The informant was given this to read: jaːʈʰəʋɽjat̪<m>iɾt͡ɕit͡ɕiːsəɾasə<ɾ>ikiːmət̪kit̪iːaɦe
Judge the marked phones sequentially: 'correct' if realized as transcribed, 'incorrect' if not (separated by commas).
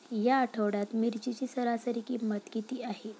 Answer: correct, correct